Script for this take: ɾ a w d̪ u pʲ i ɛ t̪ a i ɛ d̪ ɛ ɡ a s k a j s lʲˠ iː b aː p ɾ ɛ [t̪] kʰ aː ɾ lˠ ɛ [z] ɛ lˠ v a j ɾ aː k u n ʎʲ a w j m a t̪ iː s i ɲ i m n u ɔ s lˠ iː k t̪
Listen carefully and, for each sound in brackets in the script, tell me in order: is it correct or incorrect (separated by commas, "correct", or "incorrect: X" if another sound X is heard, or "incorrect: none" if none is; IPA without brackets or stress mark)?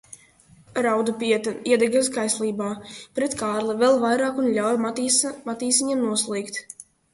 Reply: correct, incorrect: v